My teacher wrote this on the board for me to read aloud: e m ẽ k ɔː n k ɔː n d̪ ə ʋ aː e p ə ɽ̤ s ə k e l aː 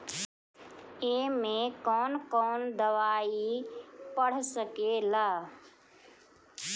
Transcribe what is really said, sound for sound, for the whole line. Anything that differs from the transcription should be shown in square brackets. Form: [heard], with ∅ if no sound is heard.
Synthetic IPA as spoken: e m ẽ k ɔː n k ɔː n d̪ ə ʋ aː [i] p ə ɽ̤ s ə k e l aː

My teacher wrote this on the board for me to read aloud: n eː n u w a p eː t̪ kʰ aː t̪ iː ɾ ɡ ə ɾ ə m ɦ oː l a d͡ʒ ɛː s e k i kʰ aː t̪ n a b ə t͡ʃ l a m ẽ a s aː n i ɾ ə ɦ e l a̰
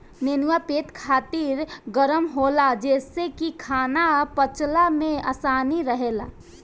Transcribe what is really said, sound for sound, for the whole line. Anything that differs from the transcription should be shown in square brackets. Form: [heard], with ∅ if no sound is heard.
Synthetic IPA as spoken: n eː n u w a p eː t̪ kʰ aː t̪ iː ɾ ɡ ə ɾ ə m ɦ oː l a d͡ʒ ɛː s e k i kʰ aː [∅] n a [p] ə t͡ʃ l a m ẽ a s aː n i ɾ ə ɦ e l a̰

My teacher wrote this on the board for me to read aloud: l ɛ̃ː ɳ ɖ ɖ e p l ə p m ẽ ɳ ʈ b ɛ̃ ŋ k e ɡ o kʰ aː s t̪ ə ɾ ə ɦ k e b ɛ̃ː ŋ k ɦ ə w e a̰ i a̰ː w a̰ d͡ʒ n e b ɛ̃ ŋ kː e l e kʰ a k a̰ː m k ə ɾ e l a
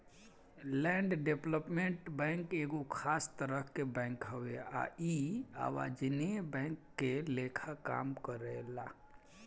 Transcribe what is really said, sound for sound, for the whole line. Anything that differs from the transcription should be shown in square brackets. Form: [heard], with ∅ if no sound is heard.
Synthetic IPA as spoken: l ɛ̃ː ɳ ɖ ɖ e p l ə p m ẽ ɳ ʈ b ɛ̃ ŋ k e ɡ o kʰ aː s t̪ ə ɾ ə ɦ k e b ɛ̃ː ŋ k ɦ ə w e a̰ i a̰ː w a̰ d͡ʒ n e b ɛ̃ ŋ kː e l e kʰ a k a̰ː m k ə ɾ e l a

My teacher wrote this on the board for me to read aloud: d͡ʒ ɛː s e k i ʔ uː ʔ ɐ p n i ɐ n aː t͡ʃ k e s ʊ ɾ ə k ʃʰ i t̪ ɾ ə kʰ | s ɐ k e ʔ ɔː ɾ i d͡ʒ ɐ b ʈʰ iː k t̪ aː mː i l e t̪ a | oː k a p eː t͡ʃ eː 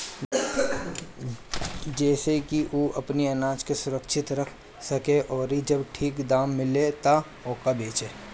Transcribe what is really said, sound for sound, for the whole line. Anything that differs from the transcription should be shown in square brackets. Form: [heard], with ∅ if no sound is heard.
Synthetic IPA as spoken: d͡ʒ ɛː s e k i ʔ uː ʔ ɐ p n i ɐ n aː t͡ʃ k e s ʊ ɾ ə k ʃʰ [ɪ] t̪ ɾ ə kʰ | s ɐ k e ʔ ɔː ɾ i d͡ʒ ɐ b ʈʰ iː k [d̪] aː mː [ɪ] l e t̪ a | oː k a [b] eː t͡ʃ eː

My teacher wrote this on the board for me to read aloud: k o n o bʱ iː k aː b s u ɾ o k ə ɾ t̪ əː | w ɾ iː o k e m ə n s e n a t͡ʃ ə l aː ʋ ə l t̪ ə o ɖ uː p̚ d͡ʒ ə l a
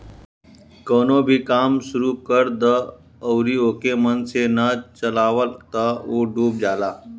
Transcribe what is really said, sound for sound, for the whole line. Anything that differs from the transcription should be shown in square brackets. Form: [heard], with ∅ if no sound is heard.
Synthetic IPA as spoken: k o n o bʱ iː k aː [m] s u ɾ [u] k ə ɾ [d̪] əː | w ɾ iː o k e m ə n s e n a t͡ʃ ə l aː ʋ ə l t̪ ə o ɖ uː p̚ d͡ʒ [a] l a

